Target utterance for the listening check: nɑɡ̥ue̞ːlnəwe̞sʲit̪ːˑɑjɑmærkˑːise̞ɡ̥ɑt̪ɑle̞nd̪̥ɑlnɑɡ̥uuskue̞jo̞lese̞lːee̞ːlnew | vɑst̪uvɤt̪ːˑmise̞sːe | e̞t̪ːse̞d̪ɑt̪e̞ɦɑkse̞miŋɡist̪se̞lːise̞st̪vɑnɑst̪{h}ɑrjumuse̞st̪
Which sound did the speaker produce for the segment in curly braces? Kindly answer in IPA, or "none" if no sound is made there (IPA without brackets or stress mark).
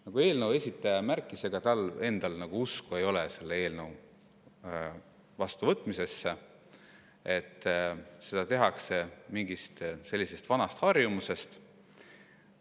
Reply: h